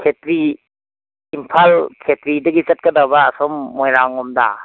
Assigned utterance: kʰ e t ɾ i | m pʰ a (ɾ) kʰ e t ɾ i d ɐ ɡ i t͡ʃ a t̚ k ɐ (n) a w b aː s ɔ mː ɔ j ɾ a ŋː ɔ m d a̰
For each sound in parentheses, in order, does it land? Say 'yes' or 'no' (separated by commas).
no, no